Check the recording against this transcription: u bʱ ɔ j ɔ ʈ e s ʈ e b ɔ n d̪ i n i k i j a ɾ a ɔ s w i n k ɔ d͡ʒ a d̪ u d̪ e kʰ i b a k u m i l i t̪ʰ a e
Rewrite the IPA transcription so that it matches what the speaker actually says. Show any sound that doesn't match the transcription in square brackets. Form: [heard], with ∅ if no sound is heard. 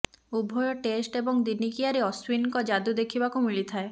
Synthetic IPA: u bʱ ɔ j ɔ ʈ e s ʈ e b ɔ [ŋ] d̪ i n i k i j a ɾ [e] ɔ s w i n k ɔ d͡ʒ a d̪ u d̪ e kʰ i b a k u m i [ɭ] i t̪ʰ a e